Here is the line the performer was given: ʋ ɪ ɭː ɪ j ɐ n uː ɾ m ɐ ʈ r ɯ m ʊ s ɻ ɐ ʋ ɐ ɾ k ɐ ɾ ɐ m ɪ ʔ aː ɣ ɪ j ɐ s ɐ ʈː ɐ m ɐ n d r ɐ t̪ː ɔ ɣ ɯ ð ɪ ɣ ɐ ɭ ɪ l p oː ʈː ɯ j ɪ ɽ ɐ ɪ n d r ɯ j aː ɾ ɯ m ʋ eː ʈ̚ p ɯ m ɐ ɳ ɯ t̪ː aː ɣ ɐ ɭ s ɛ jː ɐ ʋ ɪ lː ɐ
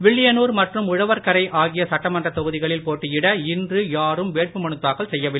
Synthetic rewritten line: ʋ ɪ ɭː ɪ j ɐ n uː ɾ m ɐ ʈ r ɯ m ʊ ɻ ɐ ʋ ɐ ɾ k ɐ ɾ ɐ ɪ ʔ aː ɣ ɪ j ɐ s ɐ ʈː ɐ m ɐ n d r ɐ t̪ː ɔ ɣ ɯ ð ɪ ɣ ɐ ɭ ɪ l p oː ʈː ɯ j ɪ ɽ ɐ ɪ n d r ɯ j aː ɾ ɯ m ʋ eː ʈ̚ p ɯ m ɐ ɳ ɯ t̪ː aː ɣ ɐ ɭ s ɛ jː ɐ ʋ ɪ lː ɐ